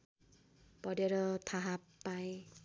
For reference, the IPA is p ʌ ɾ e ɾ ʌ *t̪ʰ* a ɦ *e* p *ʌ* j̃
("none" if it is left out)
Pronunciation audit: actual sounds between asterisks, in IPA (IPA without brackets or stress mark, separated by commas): t̪ʰ, a, a